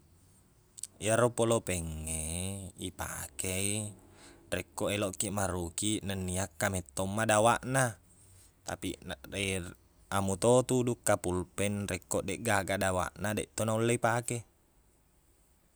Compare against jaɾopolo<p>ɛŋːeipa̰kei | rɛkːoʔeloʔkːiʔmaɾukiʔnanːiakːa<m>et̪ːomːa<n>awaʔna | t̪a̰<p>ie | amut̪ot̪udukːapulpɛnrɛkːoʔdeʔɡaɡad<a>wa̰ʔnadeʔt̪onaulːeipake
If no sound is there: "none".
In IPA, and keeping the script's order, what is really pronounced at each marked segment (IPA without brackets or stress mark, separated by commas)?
p, m, d, p, a